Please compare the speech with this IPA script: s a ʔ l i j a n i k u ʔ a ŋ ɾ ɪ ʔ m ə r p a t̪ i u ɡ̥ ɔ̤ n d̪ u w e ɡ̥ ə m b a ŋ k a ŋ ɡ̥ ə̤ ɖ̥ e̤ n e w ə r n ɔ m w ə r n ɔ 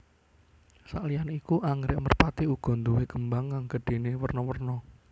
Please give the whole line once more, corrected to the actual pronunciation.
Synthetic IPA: s a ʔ l i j a n i k u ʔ a ŋ ɾ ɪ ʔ m ə r p a t̪ i u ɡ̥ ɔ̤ n d̪ u w e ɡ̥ ə m b a ŋ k a ŋ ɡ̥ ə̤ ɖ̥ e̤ n e w ə r n ɔ w ə r n ɔ